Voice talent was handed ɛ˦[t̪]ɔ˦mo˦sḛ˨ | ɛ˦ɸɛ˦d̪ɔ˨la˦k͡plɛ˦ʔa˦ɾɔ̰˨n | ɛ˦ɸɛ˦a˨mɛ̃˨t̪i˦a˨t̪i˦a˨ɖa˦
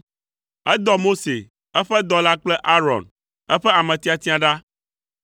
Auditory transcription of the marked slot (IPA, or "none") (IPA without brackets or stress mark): d̪